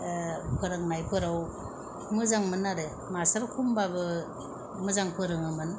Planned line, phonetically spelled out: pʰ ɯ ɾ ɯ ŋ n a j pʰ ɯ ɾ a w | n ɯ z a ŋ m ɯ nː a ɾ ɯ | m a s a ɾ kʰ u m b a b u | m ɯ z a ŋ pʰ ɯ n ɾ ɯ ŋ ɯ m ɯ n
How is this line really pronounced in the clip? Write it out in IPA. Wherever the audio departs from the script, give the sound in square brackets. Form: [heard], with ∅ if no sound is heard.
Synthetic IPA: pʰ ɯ ɾ ɯ ŋ n a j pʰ ɯ ɾ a w | [m] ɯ z a ŋ m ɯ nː a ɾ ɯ | m a s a ɾ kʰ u m b a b [ɯ] | m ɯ z a ŋ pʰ ɯ [∅] ɾ ɯ ŋ ɯ m ɯ n